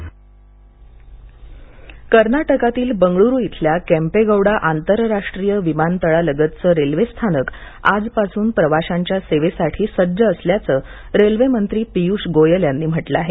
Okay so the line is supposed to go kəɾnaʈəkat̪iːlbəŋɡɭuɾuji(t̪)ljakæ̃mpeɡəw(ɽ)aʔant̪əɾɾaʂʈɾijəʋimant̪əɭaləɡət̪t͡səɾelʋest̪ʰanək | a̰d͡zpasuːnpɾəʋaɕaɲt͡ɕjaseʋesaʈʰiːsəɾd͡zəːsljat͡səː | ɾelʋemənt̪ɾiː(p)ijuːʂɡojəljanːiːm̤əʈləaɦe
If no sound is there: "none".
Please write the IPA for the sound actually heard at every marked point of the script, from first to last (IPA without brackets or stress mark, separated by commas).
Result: t̪ʰ, ɽ, p